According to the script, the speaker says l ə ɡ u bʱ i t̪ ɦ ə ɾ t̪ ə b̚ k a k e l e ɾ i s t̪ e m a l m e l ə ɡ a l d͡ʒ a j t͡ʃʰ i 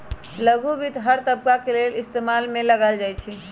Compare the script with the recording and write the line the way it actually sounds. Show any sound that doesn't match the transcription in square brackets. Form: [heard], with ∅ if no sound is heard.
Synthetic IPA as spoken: l ə ɡ u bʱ i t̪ ɦ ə ɾ t̪ ə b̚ k a k e l e [l] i s t̪ e m a l m e l ə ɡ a l d͡ʒ a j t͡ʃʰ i